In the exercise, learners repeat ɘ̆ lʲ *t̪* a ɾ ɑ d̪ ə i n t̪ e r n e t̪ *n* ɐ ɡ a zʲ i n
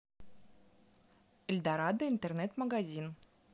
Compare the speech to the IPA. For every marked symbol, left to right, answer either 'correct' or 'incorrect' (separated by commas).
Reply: incorrect, incorrect